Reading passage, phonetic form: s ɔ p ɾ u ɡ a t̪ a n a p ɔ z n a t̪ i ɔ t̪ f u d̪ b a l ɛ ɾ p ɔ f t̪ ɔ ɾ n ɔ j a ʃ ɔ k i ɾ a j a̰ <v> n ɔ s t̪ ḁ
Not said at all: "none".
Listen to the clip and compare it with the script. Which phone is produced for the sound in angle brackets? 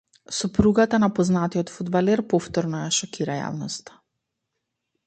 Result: v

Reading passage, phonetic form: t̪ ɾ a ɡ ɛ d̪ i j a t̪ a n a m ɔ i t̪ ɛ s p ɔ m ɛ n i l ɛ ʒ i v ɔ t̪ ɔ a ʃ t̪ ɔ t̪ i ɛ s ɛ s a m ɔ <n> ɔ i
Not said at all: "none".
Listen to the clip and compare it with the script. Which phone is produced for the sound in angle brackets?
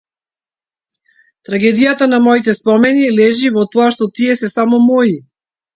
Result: m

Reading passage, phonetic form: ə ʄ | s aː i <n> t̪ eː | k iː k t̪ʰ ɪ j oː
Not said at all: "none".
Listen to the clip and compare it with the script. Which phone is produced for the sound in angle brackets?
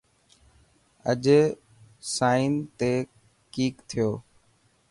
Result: n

